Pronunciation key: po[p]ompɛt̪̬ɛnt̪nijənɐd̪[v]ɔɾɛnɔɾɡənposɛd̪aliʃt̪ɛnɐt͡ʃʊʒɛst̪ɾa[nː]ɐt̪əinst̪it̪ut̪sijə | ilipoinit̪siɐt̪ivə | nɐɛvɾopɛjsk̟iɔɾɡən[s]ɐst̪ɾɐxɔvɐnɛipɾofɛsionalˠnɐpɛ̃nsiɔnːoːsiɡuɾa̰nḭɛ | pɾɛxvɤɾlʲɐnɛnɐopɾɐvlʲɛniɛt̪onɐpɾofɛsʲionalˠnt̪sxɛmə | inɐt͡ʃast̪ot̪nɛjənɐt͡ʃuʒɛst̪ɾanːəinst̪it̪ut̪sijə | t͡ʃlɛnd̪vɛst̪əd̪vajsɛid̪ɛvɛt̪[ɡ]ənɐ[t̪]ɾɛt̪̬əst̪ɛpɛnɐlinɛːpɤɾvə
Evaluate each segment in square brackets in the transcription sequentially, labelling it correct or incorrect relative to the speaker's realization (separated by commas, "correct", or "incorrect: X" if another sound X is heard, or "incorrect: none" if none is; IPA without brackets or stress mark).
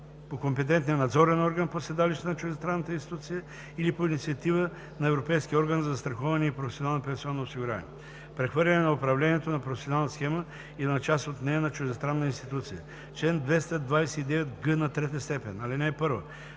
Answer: incorrect: k, incorrect: z, correct, incorrect: z, correct, correct